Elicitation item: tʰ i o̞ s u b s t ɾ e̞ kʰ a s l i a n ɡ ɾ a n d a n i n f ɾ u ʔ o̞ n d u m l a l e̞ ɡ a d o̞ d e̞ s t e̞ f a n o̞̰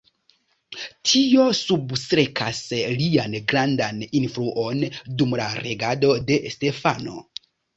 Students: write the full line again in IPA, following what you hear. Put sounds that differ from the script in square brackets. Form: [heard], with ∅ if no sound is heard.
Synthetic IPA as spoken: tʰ i o̞ s u b s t ɾ e̞ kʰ a s l i a n ɡ ɾ a n d a n i n f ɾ u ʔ o̞ n d u m l a [ɾ] e̞ ɡ a d o̞ d e̞ s t e̞ f a n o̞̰